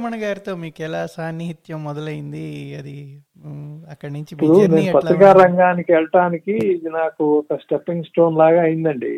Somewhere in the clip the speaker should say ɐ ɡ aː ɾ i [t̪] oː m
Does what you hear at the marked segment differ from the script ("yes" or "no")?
no